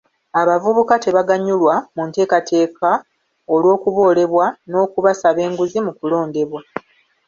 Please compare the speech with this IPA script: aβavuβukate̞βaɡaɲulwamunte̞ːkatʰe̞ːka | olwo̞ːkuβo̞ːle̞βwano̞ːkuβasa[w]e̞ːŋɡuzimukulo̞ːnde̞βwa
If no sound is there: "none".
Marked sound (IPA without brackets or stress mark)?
β